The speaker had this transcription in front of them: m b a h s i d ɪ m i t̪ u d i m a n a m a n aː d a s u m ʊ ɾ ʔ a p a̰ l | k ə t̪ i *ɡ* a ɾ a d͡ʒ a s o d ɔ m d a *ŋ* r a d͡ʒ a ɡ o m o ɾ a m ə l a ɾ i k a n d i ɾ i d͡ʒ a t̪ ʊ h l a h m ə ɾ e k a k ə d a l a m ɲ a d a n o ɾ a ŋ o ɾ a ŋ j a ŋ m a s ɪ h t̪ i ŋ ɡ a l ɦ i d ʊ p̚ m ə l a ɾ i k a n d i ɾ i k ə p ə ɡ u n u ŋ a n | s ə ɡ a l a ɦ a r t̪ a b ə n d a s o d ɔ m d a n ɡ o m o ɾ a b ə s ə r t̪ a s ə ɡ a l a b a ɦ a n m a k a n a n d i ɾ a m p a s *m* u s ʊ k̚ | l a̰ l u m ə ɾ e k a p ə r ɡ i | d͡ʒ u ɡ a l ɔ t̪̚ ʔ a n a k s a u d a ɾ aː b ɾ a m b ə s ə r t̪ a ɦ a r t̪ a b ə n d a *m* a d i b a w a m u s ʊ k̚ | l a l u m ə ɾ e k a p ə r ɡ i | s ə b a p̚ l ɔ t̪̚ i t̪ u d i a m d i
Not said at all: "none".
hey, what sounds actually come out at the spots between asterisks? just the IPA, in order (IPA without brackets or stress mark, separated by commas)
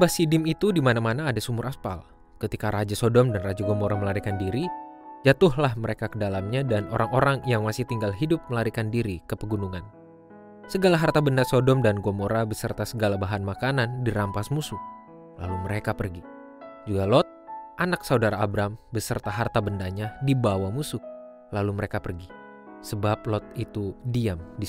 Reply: k, n, m, ɲ